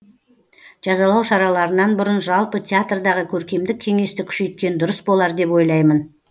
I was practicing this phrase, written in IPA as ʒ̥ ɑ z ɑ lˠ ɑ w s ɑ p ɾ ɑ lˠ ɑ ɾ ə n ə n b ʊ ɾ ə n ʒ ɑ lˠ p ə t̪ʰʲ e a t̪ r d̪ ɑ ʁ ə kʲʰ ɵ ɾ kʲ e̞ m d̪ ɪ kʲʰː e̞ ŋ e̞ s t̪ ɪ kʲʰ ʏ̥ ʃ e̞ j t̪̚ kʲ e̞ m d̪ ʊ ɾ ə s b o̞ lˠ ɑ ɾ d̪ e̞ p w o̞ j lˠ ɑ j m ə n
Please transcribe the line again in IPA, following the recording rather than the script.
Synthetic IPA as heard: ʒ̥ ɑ z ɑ lˠ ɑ w ʃ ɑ ɾ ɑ lˠ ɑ ɾ ə n ɑ n b ʊ ɾ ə n ʒ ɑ lˠ p ə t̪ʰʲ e a t̪ r d̪ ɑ ʁ ə kʲʰ ɵ ɾ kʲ e̞ m d̪ ɪ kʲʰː e̞ ŋ e̞ s t̪ ɪ kʲʰ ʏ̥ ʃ e̞ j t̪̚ kʲ e̞ n d̪ ʊ ɾ ə s b o̞ lˠ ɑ ɾ d̪ e̞ p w o̞ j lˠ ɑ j m ə n